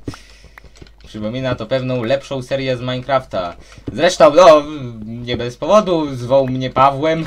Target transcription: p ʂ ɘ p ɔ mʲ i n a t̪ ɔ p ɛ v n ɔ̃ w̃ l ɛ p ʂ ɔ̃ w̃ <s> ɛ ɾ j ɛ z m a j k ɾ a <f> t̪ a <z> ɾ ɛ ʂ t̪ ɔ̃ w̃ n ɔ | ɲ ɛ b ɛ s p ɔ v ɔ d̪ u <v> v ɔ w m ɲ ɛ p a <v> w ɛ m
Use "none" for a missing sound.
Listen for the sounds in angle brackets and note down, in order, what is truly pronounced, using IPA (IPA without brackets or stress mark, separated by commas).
s, f, z, z, v